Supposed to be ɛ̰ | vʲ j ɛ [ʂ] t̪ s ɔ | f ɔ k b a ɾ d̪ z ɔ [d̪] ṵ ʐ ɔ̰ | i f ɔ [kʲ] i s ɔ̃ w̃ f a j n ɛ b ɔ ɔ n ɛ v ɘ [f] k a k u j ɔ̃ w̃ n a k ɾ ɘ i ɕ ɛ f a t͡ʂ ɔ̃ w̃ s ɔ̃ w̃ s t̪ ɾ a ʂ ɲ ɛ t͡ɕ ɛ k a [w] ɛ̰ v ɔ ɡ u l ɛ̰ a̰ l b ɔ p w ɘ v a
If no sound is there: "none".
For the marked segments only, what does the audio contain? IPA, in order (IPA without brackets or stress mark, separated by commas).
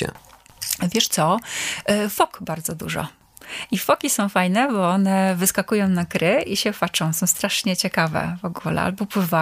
ʂ, d̪, kʲ, s, v